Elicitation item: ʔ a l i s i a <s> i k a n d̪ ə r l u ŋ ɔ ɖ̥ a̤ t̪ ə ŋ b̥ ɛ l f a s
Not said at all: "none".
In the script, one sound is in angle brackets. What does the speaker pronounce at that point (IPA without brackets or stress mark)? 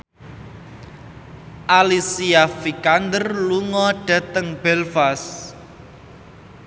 f